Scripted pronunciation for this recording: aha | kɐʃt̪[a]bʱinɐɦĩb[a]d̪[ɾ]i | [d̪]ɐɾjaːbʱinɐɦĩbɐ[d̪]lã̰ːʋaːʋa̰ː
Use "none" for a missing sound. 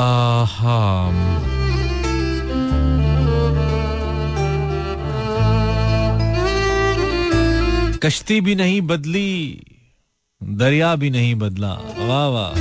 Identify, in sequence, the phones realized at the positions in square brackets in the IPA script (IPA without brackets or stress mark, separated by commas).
i, ɐ, l, d̪, d̪